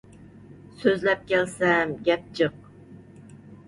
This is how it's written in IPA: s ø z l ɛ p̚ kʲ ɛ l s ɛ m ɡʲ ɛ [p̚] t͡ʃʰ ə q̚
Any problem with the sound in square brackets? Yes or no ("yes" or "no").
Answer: no